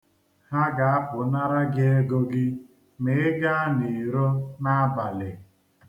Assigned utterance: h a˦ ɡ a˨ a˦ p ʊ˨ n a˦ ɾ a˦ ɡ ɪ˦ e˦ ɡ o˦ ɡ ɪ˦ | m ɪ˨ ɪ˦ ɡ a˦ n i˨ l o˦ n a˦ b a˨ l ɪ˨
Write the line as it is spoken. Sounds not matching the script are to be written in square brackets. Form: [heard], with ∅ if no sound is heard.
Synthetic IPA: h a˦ ɡ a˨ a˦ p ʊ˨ n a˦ ɾ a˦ ɡ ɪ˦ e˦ ɡ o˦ ɡ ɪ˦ | m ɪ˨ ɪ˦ ɡ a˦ n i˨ [ɾ] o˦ n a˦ b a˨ l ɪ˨